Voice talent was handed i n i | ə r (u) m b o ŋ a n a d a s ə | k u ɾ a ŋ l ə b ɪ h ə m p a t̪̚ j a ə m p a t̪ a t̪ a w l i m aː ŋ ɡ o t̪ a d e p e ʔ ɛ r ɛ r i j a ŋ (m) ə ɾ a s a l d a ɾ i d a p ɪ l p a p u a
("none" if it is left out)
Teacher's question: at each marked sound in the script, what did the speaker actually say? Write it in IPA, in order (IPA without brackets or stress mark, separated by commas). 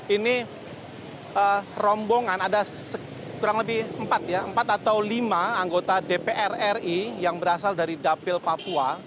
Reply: ɔ, b